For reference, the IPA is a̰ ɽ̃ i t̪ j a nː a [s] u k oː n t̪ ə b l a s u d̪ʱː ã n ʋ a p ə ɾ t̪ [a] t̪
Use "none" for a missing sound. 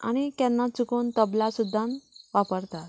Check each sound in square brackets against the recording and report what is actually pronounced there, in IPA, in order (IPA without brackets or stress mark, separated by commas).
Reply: t͡s, a